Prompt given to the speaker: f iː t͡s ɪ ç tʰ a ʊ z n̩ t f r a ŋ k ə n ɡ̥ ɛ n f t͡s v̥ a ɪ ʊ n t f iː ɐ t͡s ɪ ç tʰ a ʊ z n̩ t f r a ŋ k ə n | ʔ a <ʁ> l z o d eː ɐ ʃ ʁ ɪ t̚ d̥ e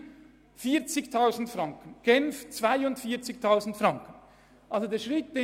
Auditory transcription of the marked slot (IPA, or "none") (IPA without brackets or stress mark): none